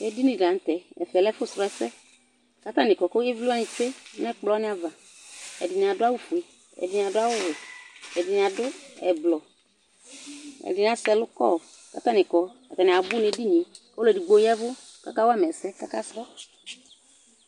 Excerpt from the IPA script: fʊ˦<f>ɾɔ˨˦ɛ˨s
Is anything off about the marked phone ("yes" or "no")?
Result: yes